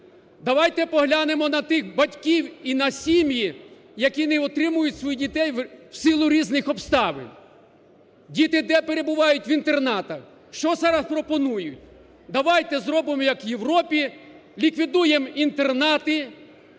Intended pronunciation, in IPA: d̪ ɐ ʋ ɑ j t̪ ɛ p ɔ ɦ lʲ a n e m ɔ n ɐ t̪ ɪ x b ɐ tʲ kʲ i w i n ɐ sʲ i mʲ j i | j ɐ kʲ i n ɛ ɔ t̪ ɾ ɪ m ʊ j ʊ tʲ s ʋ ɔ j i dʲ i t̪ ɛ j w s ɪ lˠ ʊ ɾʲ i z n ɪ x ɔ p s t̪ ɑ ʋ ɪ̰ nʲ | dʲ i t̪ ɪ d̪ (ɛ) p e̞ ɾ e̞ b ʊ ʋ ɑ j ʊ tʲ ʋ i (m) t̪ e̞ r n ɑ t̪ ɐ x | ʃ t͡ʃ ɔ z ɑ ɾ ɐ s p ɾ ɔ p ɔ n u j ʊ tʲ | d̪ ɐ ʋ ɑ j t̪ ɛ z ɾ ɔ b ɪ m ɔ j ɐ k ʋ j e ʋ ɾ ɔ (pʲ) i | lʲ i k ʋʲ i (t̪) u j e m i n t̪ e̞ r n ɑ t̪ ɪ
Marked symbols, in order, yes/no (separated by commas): yes, no, yes, no